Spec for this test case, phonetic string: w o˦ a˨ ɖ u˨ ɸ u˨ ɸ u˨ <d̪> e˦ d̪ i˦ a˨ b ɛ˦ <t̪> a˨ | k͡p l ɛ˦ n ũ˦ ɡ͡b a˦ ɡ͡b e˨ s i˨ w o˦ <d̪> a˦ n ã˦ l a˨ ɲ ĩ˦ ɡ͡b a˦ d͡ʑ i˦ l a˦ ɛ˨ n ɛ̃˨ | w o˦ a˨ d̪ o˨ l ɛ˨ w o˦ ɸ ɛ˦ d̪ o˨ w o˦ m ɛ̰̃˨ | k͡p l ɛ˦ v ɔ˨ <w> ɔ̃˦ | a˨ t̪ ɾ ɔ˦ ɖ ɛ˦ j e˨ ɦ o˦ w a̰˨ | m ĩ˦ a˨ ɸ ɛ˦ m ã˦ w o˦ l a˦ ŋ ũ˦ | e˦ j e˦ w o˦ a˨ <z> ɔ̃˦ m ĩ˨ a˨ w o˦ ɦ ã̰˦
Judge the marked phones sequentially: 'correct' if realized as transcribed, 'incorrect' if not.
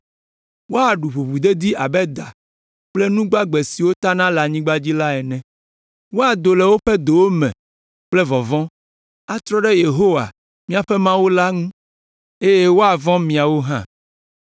correct, incorrect, incorrect, incorrect, incorrect

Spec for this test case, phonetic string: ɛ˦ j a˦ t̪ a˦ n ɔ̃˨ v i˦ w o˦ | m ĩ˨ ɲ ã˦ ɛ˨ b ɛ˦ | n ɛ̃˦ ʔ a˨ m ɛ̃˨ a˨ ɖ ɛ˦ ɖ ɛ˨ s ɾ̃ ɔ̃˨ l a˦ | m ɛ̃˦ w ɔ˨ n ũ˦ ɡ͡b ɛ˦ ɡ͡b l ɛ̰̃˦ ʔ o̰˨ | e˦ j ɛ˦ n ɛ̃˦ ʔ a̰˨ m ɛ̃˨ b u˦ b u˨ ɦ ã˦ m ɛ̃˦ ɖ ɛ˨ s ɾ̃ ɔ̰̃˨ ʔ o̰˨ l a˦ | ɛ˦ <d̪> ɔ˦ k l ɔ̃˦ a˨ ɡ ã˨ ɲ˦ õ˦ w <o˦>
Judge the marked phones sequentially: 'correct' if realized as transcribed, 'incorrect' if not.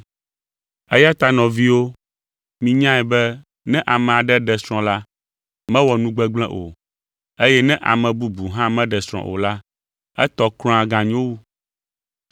incorrect, incorrect

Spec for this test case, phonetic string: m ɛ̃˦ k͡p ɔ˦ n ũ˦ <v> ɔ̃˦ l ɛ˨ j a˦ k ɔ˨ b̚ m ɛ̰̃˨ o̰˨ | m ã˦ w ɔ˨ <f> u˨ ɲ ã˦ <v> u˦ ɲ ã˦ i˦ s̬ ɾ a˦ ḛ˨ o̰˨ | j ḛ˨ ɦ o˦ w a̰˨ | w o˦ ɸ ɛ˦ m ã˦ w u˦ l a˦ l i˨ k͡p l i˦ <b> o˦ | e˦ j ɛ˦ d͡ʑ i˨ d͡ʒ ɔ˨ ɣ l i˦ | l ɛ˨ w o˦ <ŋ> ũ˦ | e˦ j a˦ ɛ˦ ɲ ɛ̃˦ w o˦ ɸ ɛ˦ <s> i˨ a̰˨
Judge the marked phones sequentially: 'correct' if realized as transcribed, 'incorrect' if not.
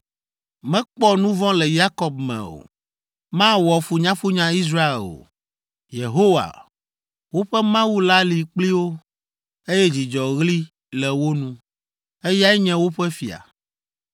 correct, correct, incorrect, incorrect, incorrect, incorrect

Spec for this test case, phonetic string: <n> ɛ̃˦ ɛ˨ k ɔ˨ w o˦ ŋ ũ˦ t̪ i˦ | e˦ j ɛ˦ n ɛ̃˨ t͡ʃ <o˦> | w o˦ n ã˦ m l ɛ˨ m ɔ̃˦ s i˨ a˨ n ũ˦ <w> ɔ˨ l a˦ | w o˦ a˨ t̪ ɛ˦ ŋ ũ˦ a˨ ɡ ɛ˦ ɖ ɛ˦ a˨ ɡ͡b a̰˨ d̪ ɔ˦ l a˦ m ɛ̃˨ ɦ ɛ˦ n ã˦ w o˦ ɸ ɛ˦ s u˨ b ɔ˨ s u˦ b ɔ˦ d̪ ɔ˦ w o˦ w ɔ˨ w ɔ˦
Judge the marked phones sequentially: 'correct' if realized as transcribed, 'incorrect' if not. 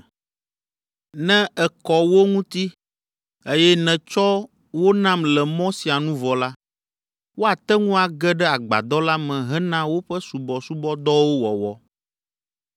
correct, incorrect, incorrect

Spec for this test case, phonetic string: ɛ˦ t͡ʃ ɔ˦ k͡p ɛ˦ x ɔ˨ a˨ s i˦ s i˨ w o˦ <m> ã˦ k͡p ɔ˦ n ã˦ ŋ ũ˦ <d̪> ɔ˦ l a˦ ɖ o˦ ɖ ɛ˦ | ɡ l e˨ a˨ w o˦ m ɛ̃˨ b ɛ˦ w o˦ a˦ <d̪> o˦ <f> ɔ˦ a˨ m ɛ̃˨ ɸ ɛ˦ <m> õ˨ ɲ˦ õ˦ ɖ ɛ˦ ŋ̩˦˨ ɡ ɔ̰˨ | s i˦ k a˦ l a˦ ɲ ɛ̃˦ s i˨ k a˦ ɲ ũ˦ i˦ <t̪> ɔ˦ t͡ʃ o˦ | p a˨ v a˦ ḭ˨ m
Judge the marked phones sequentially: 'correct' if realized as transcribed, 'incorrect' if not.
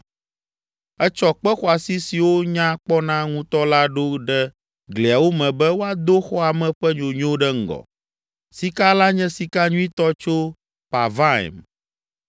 incorrect, incorrect, correct, incorrect, incorrect, correct

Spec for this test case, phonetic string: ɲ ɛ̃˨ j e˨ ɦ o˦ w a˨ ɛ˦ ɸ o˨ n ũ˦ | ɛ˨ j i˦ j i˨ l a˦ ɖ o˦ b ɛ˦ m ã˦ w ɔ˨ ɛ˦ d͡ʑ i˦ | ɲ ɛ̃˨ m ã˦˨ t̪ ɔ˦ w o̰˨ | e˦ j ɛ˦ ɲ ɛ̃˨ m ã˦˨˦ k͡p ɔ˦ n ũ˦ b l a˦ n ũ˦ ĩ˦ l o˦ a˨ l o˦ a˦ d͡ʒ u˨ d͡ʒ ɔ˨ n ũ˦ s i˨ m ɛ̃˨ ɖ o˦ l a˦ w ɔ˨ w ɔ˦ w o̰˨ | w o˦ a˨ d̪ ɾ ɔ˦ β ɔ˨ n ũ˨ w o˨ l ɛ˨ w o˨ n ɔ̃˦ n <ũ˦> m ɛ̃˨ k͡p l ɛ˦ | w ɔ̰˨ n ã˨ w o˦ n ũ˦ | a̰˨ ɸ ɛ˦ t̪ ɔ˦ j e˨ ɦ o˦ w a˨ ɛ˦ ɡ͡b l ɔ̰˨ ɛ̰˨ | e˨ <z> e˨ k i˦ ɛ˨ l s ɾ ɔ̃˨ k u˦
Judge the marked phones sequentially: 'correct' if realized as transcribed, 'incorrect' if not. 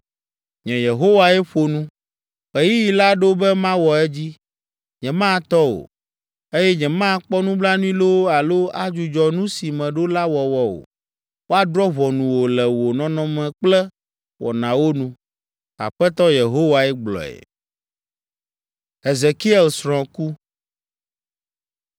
incorrect, correct

